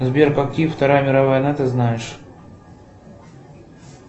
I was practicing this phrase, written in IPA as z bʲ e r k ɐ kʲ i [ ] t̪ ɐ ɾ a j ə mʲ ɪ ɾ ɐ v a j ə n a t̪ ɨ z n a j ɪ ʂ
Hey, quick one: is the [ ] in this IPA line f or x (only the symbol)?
f